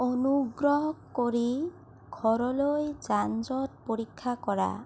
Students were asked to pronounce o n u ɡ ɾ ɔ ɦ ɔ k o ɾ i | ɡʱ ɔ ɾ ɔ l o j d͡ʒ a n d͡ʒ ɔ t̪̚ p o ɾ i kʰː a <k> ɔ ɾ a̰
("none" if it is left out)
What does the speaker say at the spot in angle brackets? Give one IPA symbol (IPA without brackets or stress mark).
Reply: k